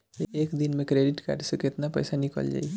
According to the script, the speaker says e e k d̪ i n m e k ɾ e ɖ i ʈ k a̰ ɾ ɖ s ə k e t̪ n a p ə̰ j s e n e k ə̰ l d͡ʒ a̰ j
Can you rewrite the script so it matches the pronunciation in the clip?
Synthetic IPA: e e k d̪ i n m e k ɾ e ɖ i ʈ k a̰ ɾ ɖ s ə k e t̪ n a p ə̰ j s a n i k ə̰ l d͡ʒ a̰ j